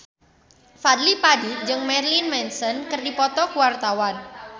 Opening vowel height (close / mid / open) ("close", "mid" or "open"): open